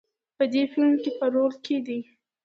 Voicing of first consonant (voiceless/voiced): voiceless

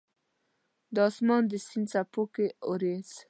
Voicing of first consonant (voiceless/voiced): voiced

